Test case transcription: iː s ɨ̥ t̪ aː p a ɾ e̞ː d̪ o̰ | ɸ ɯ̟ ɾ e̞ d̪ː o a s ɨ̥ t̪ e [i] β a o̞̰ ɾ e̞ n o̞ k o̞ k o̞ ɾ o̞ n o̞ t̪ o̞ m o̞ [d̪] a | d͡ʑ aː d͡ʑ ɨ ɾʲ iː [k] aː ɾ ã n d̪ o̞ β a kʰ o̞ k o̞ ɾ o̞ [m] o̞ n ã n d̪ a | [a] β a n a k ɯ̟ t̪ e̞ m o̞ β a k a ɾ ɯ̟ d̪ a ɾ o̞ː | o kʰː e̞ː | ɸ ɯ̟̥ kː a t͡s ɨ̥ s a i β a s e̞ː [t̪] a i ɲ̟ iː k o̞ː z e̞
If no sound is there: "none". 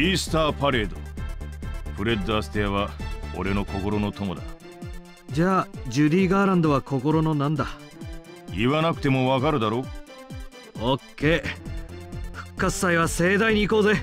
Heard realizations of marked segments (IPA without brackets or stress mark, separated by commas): a, d̪, ɡ, n, i, d̪